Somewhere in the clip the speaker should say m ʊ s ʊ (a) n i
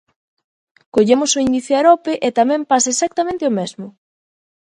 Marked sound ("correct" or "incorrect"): incorrect